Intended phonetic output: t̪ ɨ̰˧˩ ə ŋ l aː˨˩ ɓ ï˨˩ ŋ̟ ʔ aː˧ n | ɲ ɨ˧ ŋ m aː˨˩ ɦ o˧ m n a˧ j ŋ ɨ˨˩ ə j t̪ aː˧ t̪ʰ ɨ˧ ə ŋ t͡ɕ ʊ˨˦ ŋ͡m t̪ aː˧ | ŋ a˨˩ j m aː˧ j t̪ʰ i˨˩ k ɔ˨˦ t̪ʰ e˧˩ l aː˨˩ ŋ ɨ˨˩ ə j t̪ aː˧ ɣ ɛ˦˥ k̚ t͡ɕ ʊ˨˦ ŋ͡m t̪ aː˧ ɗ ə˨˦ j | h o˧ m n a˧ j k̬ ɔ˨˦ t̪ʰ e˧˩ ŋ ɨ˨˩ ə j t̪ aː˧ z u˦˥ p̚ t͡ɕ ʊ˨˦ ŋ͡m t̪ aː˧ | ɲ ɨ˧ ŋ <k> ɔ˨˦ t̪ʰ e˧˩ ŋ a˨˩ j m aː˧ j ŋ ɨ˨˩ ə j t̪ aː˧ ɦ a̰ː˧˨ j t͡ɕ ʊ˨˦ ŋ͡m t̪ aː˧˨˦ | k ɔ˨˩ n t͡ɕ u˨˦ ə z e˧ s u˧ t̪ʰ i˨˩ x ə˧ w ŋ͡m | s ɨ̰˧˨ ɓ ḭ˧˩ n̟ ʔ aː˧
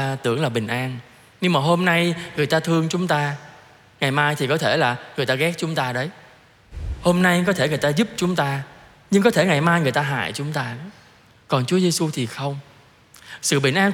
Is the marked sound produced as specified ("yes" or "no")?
yes